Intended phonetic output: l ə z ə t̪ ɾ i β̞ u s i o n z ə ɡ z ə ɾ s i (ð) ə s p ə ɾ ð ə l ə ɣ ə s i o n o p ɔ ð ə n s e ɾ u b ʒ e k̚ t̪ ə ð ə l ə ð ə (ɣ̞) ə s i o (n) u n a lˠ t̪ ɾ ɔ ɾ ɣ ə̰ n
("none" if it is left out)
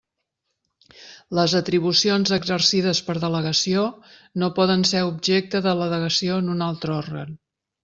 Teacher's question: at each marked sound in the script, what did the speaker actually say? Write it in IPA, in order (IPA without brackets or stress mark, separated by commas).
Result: ð, ɣ̞, n